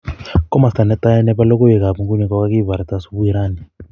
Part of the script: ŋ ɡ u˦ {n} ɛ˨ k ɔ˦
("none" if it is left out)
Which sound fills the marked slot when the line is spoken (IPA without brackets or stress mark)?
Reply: ɲ